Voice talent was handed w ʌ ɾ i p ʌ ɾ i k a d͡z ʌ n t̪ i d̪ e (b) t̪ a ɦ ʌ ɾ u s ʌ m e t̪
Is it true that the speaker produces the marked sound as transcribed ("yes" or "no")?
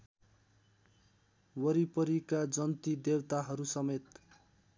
no